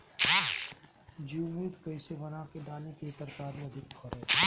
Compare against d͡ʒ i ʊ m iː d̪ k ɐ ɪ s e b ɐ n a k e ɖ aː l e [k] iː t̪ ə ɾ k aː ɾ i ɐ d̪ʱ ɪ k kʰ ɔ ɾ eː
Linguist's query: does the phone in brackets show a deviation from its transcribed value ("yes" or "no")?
no